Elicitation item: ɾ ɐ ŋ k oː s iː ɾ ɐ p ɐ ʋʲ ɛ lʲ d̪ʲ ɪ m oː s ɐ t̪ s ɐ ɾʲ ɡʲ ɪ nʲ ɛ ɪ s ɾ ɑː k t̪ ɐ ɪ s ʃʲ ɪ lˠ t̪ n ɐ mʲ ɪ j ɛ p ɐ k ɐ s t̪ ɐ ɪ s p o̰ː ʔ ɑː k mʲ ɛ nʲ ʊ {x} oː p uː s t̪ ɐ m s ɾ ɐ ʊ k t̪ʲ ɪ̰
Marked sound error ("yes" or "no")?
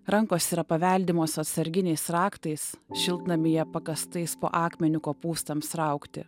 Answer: yes